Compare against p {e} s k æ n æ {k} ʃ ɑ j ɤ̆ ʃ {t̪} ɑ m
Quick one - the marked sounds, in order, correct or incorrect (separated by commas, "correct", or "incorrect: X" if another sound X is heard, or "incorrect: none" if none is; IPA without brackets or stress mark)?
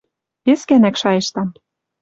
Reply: correct, correct, correct